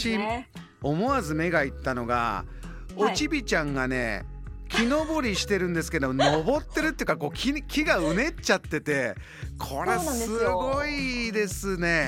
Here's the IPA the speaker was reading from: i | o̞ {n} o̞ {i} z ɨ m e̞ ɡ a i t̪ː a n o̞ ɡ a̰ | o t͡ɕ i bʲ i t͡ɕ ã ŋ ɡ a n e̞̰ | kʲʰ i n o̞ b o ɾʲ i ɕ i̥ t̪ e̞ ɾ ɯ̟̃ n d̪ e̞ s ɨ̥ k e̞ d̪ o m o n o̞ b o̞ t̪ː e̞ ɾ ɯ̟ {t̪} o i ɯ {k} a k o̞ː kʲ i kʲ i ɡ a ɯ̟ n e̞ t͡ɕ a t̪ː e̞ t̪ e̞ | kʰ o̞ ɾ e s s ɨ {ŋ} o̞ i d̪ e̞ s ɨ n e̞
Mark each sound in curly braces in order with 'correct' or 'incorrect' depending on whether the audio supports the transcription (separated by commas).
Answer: incorrect, incorrect, correct, correct, incorrect